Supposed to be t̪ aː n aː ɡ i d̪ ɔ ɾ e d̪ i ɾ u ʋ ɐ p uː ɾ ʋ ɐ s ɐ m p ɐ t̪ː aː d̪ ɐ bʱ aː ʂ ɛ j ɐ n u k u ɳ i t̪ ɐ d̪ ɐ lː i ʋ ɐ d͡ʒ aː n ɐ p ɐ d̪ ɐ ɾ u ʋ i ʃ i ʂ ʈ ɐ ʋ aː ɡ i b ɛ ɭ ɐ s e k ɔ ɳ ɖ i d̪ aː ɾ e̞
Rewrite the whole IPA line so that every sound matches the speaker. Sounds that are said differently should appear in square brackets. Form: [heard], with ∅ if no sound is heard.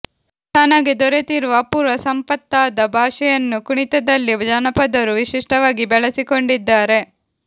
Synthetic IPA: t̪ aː n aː ɡ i d̪ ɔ ɾ e [t̪] i ɾ u ʋ ɐ p uː ɾ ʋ ɐ s ɐ m p ɐ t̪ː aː d̪ ɐ bʱ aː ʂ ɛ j ɐ [nː] u k u ɳ i t̪ ɐ d̪ ɐ lː i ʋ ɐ d͡ʒ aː n ɐ p ɐ d̪ ɐ ɾ u ʋ i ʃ i ʂ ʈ ɐ ʋ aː ɡ i b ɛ ɭ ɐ s [i] k [o] ɳ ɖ i [d̪ː] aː ɾ e̞

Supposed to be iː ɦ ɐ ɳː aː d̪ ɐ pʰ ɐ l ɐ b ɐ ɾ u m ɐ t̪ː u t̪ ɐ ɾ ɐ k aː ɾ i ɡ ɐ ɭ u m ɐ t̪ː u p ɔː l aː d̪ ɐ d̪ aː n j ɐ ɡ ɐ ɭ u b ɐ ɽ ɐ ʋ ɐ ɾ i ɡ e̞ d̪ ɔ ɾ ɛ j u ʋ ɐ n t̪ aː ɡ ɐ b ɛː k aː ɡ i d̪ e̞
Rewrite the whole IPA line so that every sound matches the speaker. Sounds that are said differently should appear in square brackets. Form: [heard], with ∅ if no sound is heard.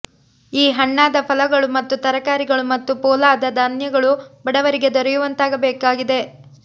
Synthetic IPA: iː ɦ ɐ ɳː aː d̪ ɐ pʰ ɐ l ɐ [ɡ] ɐ [ɭ] u m ɐ t̪ː u t̪ ɐ ɾ ɐ k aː ɾ i ɡ ɐ ɭ u m ɐ t̪ː u p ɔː l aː d̪ ɐ d̪ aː n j ɐ ɡ ɐ ɭ u b ɐ ɽ ɐ ʋ ɐ ɾ i ɡ e̞ d̪ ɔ ɾ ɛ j u ʋ ɐ n t̪ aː ɡ ɐ b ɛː k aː ɡ i d̪ e̞

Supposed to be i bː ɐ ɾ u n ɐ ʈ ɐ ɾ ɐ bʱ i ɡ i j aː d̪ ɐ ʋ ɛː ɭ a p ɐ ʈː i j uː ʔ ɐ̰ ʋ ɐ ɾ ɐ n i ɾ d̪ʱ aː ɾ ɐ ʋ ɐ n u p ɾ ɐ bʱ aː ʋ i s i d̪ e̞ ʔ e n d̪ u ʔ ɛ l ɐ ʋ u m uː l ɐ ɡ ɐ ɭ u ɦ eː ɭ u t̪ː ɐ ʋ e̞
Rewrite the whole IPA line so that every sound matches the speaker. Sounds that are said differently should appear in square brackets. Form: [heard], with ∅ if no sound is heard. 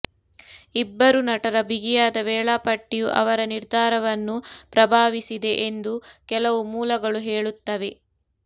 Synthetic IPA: i bː ɐ ɾ u n ɐ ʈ ɐ ɾ ɐ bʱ i ɡ i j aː d̪ ɐ ʋ ɛː ɭ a p ɐ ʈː i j [u] ʔ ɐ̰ ʋ ɐ ɾ ɐ n i ɾ d̪ʱ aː ɾ ɐ ʋ ɐ [nː] u p ɾ ɐ bʱ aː ʋ i s i d̪ e̞ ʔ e n d̪ u [k] ɛ l ɐ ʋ u m uː l ɐ ɡ ɐ ɭ u ɦ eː ɭ u t̪ː ɐ ʋ e̞

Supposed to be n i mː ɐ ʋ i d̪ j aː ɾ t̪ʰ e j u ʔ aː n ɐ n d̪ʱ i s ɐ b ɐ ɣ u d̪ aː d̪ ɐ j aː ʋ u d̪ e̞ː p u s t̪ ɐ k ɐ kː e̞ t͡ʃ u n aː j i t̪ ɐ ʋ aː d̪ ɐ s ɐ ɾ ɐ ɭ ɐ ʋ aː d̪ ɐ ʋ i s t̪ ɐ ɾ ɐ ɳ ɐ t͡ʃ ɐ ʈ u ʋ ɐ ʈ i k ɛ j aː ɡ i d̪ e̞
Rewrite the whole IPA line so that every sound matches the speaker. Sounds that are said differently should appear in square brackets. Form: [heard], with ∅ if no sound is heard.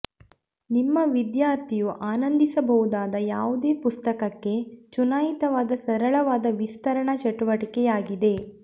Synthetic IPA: n i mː ɐ ʋ i d̪ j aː ɾ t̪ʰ [i] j u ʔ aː n ɐ n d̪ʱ i s ɐ b ɐ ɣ u d̪ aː d̪ ɐ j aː ʋ u d̪ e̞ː p u s t̪ ɐ k ɐ kː e̞ t͡ʃ u n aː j i t̪ ɐ ʋ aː d̪ ɐ s ɐ ɾ ɐ ɭ ɐ ʋ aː d̪ ɐ ʋ i s t̪ ɐ ɾ ɐ ɳ ɐ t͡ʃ ɐ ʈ u ʋ ɐ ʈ i k ɛ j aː ɡ i d̪ e̞

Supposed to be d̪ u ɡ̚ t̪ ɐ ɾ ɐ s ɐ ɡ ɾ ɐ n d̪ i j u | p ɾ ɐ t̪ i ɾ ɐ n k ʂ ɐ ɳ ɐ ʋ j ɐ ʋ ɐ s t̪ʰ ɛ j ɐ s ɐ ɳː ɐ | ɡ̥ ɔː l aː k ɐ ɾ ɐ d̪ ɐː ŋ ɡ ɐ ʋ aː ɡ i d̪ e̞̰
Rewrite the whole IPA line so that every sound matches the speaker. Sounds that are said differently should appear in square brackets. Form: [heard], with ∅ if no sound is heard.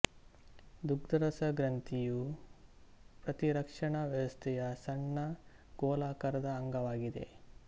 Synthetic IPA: d̪ u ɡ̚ [d̪] ɐ ɾ ɐ s ɐ ɡ ɾ ɐ n [t̪] i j u | p ɾ ɐ t̪ i ɾ ɐ [∅] k ʂ ɐ ɳ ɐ ʋ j ɐ ʋ ɐ s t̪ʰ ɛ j ɐ s ɐ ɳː ɐ | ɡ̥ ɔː l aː k ɐ ɾ ɐ d̪ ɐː ŋ ɡ ɐ ʋ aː ɡ i d̪ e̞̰

